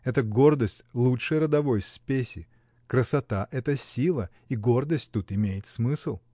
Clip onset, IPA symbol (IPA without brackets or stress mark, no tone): ɛ